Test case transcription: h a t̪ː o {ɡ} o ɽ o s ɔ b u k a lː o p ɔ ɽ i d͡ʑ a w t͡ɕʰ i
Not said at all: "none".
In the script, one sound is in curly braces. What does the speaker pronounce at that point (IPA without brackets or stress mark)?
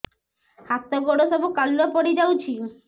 ɡ